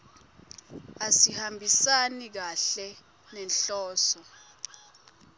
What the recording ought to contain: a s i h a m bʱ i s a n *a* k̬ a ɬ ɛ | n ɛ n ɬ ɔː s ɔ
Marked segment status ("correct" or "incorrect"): incorrect